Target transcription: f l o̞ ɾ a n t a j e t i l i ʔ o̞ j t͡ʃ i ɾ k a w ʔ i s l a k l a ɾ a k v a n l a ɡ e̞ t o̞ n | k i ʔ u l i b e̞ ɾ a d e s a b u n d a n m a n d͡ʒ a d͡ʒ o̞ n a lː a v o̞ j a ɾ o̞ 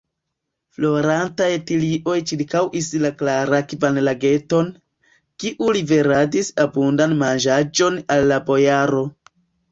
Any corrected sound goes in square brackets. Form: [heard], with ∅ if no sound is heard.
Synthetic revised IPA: f l o̞ ɾ a n t a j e t i l i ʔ o̞ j t͡ʃ i ɾ k a w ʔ i s l a k l a ɾ a k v a n l a ɡ e̞ t o̞ n | k i ʔ u l i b e̞ ɾ a d [i] s a b u n d a n m a n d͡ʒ a d͡ʒ o̞ n a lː a [b] o̞ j a ɾ o̞

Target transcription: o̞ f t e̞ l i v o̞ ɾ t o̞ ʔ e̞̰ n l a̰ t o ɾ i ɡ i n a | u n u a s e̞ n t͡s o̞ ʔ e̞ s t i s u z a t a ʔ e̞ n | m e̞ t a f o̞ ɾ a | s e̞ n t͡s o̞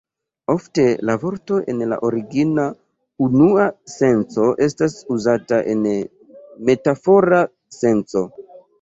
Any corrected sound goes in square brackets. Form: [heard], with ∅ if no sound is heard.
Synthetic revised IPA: o̞ f t e̞ l [a] v o̞ ɾ t o̞ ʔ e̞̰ n l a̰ [ʔ] o ɾ i ɡ i n a | u n u a s e̞ n t͡s o̞ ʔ e̞ s t [a] s u z a t a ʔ e̞ n | m e̞ t a f o̞ ɾ a | s e̞ n t͡s o̞

